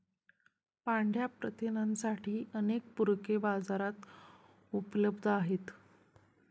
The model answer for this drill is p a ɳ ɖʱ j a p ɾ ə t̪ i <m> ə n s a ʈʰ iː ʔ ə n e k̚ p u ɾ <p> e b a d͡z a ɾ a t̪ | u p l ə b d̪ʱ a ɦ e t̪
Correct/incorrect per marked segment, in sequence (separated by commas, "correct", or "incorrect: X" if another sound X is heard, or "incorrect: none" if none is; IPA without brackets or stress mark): incorrect: n, incorrect: k